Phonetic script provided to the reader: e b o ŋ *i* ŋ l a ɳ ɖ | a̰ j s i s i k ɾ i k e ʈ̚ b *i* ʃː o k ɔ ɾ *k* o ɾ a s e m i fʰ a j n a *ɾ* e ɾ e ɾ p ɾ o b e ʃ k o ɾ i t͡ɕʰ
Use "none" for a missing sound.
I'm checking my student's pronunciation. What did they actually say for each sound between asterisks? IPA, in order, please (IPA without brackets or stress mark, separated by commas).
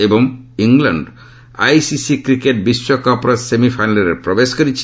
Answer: i, i, p, l